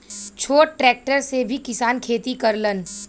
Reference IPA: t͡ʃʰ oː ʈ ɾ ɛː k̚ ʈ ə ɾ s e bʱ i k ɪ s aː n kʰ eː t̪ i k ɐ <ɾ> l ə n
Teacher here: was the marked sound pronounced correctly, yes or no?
yes